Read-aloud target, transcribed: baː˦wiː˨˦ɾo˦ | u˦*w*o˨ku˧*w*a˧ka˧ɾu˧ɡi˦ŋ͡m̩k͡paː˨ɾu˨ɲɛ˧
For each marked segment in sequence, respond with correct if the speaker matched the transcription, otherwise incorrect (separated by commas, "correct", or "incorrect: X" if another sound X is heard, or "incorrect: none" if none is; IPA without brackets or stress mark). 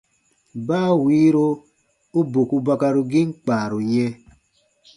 incorrect: b, incorrect: b